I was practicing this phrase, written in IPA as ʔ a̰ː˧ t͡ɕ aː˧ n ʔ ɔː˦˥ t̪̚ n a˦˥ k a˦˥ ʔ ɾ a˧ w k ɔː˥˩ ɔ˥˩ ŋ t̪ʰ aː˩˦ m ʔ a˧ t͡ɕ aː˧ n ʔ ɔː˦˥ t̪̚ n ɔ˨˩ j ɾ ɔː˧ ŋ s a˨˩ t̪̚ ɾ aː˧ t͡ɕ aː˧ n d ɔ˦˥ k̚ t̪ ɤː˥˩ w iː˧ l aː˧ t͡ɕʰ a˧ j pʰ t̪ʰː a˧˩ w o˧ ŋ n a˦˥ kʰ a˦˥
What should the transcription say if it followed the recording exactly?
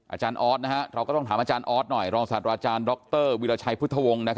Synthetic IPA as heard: ʔ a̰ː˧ t͡ɕ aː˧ n ʔ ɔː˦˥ t̪̚ n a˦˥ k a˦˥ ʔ ɾ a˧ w k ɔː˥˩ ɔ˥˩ ŋ t̪ʰ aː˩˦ m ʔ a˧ t͡ɕ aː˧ n ʔ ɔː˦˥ t̪̚ n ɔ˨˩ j ɾ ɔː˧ ŋ s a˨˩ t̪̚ ɾ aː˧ t͡ɕ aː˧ n d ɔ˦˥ k̚ t̪ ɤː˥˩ w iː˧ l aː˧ t͡ɕʰ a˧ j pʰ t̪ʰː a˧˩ w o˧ ŋ n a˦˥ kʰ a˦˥